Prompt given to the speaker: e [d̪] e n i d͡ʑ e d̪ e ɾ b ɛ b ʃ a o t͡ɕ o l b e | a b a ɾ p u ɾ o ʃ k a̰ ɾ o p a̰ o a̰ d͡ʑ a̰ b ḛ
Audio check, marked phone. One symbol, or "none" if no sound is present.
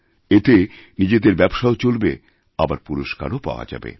t̪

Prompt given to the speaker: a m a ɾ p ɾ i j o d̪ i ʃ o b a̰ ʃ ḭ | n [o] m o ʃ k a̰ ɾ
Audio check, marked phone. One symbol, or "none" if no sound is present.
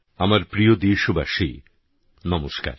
ɔ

